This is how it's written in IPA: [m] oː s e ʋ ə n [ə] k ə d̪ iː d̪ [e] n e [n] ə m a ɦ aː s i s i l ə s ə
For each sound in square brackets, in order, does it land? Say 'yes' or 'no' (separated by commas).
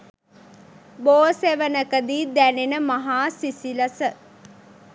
no, yes, no, yes